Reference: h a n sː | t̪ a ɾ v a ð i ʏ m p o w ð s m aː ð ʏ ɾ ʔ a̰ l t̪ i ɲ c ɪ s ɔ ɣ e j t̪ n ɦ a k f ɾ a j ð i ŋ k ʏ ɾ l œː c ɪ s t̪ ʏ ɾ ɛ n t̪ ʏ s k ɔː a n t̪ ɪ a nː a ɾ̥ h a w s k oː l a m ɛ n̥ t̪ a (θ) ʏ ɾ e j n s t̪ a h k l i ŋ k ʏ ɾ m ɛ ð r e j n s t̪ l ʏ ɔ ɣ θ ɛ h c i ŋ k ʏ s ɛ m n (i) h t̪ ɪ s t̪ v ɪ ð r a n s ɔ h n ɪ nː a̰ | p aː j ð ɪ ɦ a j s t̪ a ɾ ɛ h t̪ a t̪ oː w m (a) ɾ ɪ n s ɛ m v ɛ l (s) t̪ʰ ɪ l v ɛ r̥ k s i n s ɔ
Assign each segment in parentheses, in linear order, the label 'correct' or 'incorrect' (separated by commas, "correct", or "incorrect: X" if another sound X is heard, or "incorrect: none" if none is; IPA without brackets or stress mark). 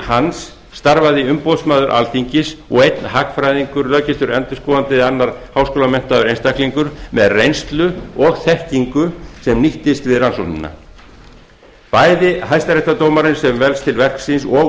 incorrect: ð, correct, correct, correct